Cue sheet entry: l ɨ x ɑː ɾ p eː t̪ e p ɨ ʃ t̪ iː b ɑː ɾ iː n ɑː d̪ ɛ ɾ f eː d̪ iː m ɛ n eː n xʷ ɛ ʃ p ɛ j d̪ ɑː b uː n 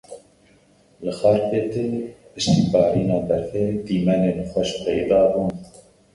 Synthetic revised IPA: l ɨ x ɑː ɾ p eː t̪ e p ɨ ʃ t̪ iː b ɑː ɾ iː n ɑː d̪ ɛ ɾ f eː d̪ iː m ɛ n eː n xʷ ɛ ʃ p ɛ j d̪ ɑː b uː n